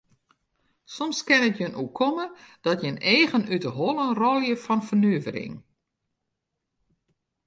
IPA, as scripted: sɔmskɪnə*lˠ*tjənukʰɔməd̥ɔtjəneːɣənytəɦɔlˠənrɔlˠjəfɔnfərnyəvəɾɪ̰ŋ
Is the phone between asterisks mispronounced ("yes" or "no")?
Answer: yes